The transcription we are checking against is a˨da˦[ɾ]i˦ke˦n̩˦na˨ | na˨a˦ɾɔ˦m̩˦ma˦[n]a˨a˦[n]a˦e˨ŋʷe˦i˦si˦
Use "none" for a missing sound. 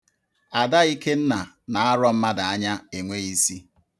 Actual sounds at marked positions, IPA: none, d, ɲ

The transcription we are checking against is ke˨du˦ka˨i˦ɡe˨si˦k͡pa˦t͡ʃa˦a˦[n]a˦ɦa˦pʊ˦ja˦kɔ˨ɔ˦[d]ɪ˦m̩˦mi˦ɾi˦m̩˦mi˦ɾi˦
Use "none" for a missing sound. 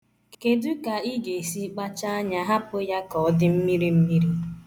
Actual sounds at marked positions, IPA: ɲ, d

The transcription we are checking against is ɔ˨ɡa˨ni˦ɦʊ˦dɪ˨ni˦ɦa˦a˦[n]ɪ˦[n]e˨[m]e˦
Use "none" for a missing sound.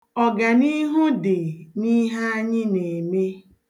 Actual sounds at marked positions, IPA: ɲ, n, m

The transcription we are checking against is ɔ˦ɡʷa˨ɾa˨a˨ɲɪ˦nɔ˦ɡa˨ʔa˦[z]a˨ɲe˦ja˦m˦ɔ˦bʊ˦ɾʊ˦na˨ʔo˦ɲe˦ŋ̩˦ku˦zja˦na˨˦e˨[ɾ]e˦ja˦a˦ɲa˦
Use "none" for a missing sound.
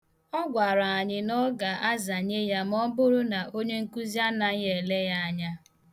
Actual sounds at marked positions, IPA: z, l

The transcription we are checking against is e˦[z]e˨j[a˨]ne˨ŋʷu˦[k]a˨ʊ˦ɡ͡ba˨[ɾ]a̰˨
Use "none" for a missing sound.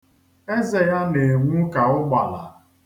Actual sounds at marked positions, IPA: z, a˦, k, l

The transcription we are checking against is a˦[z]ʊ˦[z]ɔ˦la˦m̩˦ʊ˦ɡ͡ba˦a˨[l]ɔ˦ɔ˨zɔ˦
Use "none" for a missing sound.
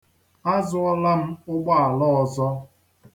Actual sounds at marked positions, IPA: z, none, l

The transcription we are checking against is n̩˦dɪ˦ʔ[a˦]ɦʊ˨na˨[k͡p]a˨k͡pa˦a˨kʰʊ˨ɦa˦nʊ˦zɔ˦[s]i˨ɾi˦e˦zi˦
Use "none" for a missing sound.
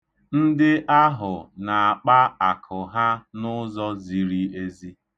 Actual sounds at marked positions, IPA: a˦, none, z

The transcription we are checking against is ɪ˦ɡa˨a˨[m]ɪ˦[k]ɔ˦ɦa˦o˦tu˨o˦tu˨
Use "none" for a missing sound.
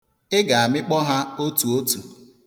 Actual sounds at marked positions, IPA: m, k͡p

